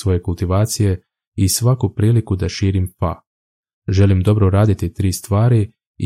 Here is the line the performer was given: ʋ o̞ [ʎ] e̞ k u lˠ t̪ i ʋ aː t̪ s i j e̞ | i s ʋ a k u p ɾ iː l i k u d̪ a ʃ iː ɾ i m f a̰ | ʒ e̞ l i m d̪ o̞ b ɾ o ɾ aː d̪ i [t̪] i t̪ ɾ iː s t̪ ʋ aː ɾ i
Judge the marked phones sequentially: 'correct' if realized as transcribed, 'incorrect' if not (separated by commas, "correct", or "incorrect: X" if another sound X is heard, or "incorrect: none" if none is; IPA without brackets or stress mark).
incorrect: j, correct